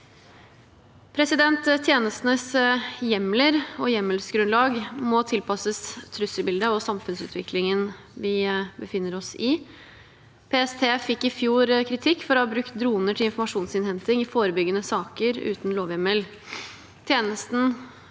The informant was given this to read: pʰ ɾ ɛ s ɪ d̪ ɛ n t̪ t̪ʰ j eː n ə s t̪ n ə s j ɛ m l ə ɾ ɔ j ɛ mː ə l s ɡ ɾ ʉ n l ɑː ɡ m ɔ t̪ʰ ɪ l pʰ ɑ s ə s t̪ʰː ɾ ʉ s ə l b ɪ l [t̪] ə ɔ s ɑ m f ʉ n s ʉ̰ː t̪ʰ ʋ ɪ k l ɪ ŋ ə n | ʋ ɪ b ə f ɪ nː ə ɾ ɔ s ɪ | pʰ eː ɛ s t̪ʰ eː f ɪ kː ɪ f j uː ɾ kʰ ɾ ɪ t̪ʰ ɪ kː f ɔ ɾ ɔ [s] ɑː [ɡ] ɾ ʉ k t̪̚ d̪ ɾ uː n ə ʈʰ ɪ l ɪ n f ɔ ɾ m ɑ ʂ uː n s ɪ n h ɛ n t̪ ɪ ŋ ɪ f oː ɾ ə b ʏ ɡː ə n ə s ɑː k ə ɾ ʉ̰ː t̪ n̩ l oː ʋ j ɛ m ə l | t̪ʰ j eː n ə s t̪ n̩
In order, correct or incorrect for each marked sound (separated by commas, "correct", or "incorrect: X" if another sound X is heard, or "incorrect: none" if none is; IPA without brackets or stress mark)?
incorrect: d̪, incorrect: h, incorrect: b